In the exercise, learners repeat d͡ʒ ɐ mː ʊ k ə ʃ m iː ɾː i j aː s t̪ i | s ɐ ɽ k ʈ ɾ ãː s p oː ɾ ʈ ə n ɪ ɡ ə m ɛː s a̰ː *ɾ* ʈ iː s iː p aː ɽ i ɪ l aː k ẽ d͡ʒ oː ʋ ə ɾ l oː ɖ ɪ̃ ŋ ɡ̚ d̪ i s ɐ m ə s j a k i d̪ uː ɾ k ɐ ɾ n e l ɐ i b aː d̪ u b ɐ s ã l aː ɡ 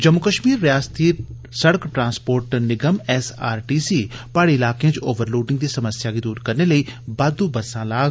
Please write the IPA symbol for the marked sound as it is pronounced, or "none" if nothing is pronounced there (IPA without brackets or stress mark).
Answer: ɾ